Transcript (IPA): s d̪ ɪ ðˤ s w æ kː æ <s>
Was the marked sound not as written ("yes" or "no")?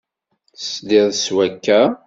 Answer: yes